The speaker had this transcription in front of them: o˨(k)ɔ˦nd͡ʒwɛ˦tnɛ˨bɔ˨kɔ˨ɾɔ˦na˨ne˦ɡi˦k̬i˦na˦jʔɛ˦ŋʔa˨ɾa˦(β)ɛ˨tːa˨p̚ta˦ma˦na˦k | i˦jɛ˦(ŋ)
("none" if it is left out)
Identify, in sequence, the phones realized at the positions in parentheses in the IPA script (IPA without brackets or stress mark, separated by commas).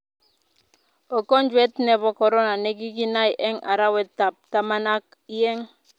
k, w, ŋ